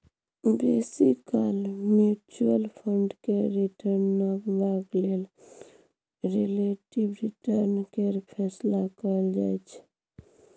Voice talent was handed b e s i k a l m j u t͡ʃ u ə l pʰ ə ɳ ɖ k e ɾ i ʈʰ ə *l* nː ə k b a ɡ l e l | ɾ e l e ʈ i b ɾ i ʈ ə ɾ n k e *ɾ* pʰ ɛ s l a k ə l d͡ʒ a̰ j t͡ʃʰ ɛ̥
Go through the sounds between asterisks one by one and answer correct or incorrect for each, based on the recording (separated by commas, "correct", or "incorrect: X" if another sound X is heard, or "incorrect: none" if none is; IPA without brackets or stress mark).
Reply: incorrect: ɾ, correct